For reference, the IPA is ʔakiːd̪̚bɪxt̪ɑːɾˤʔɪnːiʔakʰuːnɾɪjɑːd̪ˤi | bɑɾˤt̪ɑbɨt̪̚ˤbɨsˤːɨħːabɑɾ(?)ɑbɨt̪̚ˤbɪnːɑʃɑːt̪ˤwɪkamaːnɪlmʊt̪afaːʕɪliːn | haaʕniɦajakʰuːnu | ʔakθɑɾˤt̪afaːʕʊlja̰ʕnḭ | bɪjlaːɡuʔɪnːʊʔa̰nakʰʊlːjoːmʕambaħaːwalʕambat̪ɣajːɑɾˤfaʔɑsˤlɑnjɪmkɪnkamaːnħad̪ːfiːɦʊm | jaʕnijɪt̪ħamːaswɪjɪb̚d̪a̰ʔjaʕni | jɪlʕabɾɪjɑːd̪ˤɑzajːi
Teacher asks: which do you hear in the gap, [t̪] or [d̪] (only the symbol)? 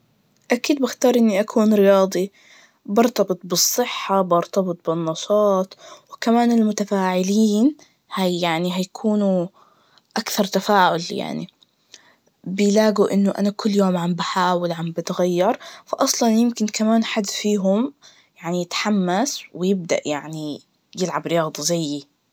t̪